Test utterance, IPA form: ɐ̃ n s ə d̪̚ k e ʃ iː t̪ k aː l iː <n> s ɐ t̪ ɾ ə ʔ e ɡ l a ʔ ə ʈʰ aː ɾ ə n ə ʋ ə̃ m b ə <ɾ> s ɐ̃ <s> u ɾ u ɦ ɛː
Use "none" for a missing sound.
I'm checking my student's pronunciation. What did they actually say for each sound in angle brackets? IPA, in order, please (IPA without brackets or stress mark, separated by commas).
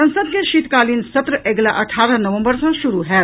n, ɾ, ʃ